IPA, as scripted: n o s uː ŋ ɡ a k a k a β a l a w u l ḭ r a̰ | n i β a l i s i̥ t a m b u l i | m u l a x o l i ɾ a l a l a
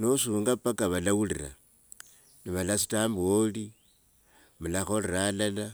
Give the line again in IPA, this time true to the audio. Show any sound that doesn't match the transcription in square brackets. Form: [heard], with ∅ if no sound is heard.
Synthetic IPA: n o s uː ŋ ɡ a [p] a k a β a l a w u l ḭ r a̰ | n i β a l [a] s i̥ t a m b [o] l i | m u l a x o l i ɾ a l a l a